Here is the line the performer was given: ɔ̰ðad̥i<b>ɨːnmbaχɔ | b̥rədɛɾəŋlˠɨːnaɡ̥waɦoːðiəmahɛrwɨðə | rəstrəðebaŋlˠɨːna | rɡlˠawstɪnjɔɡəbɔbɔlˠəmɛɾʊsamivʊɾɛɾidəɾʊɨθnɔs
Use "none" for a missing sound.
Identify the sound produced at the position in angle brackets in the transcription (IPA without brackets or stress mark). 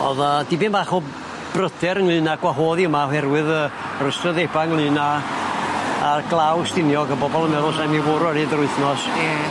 b